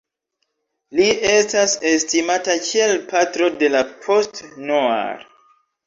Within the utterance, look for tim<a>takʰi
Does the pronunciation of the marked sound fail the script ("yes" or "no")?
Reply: no